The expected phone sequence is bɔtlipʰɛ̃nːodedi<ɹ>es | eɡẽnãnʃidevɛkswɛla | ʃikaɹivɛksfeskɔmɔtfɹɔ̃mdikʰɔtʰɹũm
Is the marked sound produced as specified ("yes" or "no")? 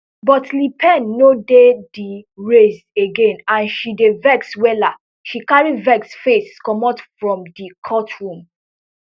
yes